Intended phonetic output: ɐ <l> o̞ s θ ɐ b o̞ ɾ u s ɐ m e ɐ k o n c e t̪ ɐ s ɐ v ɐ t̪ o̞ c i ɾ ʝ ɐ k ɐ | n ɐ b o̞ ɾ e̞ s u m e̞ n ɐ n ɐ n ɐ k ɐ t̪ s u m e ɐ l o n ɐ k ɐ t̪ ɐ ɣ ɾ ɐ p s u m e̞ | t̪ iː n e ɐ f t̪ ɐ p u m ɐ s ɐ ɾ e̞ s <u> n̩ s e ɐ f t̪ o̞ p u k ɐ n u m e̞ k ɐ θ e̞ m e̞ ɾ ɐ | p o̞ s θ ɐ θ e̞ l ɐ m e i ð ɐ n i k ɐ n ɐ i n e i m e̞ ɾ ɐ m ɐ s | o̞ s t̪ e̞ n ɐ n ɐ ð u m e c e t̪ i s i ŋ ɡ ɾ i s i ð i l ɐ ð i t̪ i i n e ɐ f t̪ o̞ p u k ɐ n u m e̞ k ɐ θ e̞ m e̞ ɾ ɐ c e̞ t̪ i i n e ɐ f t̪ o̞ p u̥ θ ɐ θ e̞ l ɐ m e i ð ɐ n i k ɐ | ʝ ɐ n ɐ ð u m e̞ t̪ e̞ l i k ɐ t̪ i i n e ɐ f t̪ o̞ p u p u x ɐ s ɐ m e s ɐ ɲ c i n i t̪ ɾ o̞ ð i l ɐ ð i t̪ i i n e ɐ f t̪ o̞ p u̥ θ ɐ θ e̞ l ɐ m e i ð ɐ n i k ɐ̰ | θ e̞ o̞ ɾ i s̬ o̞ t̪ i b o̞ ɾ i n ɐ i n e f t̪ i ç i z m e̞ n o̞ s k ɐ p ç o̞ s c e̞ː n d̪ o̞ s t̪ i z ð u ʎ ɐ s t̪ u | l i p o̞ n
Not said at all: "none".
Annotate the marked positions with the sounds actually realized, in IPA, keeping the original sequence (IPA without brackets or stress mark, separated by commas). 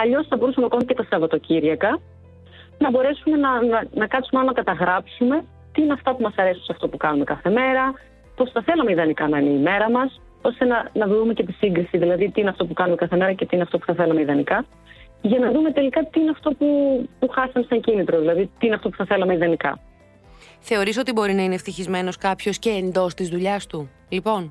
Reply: ʎ, u